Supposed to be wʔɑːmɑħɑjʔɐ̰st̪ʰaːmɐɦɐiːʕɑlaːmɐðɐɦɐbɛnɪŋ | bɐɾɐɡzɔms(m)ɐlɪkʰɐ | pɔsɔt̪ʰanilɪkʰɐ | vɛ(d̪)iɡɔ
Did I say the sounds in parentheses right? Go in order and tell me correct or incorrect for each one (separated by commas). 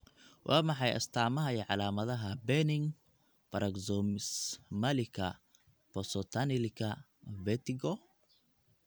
correct, incorrect